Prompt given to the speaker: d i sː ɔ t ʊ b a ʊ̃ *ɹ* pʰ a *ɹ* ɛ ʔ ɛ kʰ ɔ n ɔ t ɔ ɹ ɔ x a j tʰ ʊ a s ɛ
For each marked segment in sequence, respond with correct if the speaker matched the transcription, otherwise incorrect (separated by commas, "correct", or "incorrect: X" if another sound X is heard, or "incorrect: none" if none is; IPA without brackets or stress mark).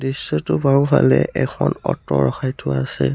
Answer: incorrect: none, incorrect: l